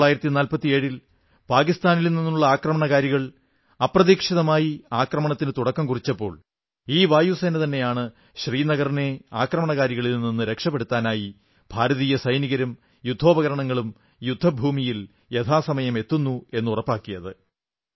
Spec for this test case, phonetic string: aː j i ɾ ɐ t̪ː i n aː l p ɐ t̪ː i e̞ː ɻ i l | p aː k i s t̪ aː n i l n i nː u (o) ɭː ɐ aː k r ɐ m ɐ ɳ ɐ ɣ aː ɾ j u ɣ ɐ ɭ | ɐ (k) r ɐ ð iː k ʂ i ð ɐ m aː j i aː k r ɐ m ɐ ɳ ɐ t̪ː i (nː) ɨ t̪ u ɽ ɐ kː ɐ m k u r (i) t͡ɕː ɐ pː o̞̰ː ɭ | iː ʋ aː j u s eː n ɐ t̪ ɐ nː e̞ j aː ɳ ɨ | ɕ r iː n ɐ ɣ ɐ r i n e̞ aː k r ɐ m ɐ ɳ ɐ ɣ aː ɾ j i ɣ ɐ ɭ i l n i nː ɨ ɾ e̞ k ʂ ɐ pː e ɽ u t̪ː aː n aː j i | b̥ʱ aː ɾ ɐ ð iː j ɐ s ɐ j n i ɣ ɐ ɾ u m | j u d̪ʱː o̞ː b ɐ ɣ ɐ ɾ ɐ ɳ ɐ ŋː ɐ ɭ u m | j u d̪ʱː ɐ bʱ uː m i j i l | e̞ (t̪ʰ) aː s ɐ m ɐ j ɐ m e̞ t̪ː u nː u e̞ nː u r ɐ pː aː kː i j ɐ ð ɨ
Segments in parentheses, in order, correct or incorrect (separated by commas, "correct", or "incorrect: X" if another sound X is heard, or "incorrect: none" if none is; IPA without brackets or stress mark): incorrect: u, incorrect: p, incorrect: n, correct, correct